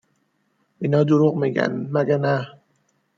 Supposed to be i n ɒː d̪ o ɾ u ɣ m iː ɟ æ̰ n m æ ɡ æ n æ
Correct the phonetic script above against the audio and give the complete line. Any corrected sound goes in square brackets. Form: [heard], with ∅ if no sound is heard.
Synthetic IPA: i n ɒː d̪ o ɾ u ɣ m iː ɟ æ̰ n m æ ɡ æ n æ